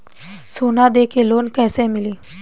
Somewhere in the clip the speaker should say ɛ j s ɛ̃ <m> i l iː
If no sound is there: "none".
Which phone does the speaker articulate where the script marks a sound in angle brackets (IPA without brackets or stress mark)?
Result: m